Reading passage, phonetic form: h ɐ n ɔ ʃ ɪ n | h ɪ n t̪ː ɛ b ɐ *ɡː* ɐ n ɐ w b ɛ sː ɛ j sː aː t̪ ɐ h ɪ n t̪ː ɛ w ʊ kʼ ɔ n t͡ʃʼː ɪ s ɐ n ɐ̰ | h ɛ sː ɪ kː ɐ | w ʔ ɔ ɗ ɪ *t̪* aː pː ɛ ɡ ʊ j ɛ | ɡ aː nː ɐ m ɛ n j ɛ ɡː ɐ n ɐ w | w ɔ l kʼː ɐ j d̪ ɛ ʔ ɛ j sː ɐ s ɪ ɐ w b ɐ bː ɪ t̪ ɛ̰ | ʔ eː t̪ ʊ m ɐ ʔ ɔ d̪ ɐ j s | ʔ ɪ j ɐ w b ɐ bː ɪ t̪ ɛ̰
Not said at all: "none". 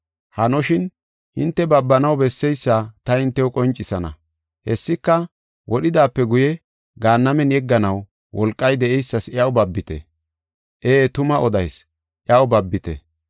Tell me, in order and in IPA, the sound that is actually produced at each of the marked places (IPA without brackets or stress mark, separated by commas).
bː, d̪